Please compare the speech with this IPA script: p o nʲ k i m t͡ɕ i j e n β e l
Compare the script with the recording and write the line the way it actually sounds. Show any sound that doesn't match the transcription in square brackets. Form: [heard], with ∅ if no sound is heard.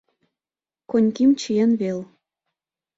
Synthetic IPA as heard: [k] o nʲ k i m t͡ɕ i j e n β e l